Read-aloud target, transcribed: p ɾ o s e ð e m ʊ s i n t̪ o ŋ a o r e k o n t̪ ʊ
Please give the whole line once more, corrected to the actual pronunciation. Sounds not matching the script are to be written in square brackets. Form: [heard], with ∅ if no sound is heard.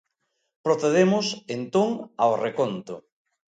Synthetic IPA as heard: p ɾ o [θ] e ð e m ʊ s [e] n t̪ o ŋ a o r e k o n t̪ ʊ

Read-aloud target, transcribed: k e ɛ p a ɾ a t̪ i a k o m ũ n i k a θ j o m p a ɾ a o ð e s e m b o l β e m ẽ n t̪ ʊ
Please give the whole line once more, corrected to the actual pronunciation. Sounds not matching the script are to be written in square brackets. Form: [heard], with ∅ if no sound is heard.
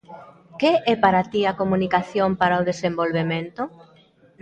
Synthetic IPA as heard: k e ɛ p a ɾ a t̪ i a k o m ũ n i k a θ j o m p a ɾ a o ð e s e m b o l β e m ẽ n t̪ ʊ

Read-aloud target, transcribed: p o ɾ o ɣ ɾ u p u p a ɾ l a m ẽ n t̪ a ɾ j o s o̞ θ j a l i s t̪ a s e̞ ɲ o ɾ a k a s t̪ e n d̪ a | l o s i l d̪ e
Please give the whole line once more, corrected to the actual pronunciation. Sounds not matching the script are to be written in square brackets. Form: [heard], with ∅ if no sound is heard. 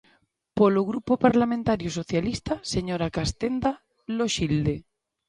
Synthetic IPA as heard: p o [l] o ɣ ɾ u p [o] p a ɾ l a m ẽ n t̪ a ɾ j o s o̞ θ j a l i s t̪ a s e̞ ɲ o ɾ a k a s t̪ e n d̪ a | l o [ʃ] i l d̪ e

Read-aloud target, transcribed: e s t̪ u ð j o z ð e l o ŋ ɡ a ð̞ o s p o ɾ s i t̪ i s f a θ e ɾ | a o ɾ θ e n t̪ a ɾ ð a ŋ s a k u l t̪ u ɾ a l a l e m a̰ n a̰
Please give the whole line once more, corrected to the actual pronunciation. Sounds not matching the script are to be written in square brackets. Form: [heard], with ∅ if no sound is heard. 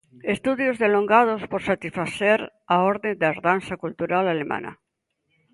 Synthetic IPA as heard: e s t̪ u ð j o z ð e l o ŋ ɡ a ð̞ o s p o ɾ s [a] t̪ i s f a θ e ɾ | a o ɾ [ð] e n [d̪] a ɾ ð a [n] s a k u l t̪ u ɾ a l a l e m a̰ n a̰

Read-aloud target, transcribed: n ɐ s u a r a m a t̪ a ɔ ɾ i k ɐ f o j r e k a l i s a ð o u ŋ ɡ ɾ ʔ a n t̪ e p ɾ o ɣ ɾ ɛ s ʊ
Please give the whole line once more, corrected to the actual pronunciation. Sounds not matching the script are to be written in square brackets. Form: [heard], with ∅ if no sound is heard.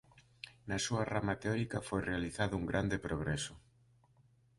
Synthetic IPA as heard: n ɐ s u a r a m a t̪ [e] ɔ ɾ i k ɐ f o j r e [∅] a l i [θ] a ð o u ŋ ɡ ɾ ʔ a n [d̪] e p ɾ o ɣ ɾ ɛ s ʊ

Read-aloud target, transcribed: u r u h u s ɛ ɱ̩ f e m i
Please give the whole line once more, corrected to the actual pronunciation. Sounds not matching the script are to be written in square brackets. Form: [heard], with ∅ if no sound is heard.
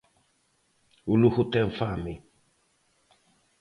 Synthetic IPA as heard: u [l] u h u [t] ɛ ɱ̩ f [a] m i

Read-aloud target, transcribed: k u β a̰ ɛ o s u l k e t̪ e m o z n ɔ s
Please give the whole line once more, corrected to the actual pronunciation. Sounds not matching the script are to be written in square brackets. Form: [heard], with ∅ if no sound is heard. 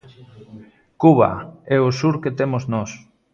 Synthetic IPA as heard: k u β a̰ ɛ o s u [ɾ] k e t̪ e m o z n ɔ s

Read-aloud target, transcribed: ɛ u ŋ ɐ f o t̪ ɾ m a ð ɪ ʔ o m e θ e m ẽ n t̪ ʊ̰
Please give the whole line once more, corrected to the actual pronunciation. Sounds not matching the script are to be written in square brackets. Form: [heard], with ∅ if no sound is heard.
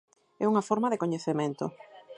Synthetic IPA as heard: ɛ u ŋ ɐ f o [∅] ɾ m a ð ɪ [k] o [ɲ] e θ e m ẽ n t̪ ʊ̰

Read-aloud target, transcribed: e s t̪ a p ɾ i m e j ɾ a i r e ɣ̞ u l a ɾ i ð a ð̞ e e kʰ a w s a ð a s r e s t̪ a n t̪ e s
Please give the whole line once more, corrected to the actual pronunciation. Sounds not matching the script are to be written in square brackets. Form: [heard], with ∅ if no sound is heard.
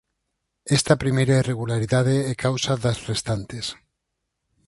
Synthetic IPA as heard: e s t̪ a p ɾ i m e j ɾ a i r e ɣ̞ u l a ɾ i ð a ð̞ e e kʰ a w s a ð a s r e s t̪ a n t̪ e s

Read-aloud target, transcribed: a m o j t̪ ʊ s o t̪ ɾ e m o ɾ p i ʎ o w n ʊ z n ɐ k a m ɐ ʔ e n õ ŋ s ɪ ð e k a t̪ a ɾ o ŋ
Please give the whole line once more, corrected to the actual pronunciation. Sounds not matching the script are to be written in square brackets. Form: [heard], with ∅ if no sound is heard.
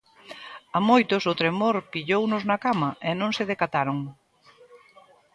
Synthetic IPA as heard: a m o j t̪ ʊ s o t̪ ɾ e m o ɾ p i ʎ o w n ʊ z n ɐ k a m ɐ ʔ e n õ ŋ s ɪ ð e k a t̪ a ɾ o ŋ

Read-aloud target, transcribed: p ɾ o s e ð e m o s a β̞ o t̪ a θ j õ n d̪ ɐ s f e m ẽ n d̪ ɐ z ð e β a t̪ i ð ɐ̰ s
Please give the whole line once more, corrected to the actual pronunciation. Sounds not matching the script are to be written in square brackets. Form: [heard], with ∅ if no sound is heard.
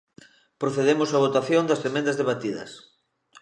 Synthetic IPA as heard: p ɾ o [θ] e ð e m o s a β̞ o t̪ a θ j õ n d̪ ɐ s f e m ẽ n d̪ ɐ z ð e β a t̪ i ð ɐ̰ s

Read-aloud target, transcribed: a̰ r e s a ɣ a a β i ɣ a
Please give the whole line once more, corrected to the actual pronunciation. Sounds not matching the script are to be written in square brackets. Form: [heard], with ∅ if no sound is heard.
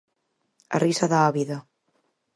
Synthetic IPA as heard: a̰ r [i] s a [ð] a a β i [ð] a

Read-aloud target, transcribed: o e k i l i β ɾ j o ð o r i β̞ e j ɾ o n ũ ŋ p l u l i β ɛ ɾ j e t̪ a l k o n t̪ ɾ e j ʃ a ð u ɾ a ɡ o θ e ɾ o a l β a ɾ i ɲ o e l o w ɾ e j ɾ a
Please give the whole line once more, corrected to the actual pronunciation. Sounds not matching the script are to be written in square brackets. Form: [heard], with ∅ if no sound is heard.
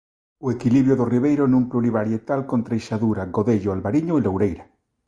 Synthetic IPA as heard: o e k i l i β ɾ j o ð o r i β̞ e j ɾ o n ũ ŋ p l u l i β [a] ɾ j e t̪ a l k o n t̪ ɾ e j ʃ a ð u ɾ a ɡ o [ð] e [ʎ] o a l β a ɾ i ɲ o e l o w ɾ e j ɾ a

